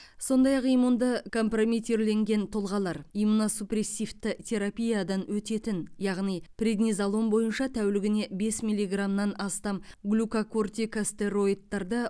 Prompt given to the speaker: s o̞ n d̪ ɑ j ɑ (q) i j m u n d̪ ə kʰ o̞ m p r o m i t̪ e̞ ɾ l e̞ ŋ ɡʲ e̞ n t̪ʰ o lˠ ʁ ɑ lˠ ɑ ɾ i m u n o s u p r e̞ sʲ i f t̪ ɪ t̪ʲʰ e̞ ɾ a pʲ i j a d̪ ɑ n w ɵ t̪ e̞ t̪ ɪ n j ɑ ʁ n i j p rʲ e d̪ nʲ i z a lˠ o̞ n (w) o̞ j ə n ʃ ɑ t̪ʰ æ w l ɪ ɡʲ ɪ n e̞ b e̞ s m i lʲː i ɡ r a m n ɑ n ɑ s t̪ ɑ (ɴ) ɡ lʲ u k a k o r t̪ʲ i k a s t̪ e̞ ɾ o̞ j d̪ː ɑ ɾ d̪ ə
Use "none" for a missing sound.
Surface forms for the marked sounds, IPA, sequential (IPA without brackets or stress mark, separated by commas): q, b, m